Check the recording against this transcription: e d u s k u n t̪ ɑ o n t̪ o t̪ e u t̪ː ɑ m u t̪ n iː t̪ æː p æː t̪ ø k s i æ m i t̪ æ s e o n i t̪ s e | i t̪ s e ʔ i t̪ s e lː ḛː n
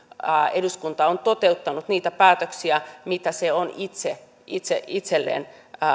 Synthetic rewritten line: e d u s k u n t̪ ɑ o n t̪ o t̪ e u t̪ː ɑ n u t̪ n iː t̪ æ p æː t̪ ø k s i æ m i t̪ æ s e o n i t̪ s e | i t̪ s e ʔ i t̪ s e lː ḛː n